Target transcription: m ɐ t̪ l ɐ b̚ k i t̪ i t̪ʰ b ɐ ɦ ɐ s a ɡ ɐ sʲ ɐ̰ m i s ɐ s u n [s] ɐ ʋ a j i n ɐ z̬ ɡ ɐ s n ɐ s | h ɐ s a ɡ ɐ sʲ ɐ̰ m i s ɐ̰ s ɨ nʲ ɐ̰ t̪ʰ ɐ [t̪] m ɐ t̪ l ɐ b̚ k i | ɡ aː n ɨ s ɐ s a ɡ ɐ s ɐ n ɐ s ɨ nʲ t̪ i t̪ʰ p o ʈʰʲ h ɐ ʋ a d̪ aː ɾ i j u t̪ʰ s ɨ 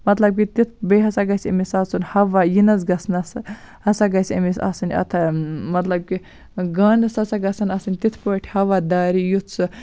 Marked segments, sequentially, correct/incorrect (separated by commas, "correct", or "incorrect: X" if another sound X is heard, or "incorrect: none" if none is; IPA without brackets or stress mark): incorrect: h, incorrect: none